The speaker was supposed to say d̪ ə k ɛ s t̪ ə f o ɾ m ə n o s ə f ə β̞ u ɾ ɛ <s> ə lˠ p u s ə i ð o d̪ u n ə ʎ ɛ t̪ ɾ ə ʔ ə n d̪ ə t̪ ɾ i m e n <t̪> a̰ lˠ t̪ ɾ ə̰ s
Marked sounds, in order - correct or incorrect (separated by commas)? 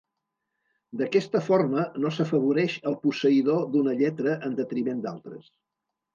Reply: incorrect, incorrect